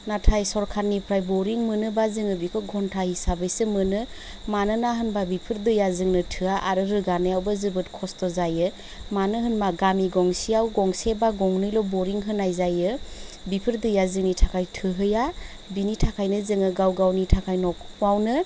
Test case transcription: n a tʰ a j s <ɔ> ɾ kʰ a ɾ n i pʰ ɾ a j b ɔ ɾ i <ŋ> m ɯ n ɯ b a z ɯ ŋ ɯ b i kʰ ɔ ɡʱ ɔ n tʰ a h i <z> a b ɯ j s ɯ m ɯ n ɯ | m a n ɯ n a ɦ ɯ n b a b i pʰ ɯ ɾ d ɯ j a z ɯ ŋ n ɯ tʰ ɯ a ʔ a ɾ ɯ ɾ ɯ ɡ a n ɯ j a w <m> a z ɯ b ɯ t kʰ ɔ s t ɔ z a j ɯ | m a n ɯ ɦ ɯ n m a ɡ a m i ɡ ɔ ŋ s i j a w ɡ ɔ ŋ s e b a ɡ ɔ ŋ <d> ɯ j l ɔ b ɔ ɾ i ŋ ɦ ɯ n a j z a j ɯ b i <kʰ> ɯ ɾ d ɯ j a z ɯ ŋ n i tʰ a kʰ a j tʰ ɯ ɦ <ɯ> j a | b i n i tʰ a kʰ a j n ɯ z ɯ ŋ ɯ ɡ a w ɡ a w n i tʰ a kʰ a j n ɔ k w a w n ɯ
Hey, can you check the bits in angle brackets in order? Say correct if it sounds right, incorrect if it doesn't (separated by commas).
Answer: correct, correct, incorrect, incorrect, incorrect, incorrect, correct